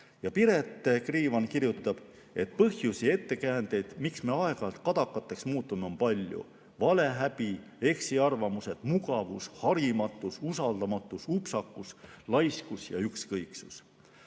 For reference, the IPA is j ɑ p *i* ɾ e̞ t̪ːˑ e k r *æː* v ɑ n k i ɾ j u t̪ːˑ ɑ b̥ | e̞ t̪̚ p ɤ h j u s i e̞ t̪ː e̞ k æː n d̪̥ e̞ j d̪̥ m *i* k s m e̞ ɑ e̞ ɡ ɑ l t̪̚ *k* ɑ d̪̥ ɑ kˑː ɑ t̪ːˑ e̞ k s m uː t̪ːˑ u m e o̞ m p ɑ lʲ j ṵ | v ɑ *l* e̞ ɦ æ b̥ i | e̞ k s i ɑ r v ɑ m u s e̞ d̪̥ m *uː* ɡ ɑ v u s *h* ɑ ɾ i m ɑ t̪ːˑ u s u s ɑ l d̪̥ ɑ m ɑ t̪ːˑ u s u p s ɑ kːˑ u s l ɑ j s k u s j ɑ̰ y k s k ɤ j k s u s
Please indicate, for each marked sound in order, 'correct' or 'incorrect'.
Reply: correct, incorrect: iː, correct, correct, correct, incorrect: u, correct

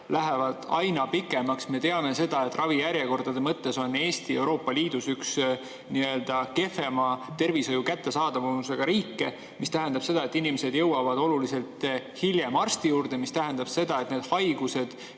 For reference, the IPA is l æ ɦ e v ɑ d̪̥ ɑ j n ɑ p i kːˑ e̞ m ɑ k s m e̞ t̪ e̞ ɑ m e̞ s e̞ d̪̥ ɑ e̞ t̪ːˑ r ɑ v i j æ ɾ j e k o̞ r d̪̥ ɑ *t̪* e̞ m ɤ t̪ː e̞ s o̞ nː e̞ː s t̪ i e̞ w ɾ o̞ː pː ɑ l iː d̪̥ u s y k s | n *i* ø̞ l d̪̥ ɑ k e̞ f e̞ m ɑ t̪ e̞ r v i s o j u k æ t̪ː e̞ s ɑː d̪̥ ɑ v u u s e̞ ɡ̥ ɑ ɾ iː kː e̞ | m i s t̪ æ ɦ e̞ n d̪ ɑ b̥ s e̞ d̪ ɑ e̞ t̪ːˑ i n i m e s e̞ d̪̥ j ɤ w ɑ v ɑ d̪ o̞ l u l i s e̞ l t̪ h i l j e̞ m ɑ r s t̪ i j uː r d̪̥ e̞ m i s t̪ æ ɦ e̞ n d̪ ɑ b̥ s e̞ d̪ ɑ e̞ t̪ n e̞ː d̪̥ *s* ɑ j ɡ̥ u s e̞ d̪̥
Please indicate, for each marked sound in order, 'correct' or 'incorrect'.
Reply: incorrect: d̪, correct, incorrect: h

